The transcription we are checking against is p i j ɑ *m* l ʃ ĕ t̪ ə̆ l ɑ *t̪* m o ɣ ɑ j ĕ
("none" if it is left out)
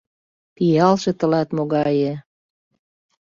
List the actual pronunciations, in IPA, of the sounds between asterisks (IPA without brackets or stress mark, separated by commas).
none, t̪